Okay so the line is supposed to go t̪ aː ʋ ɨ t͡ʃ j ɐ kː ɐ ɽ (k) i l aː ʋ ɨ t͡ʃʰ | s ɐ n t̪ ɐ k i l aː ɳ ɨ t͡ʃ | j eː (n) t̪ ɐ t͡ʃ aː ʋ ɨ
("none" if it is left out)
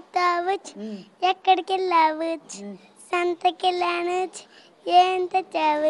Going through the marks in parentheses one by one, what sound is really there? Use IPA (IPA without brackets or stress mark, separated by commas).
k, n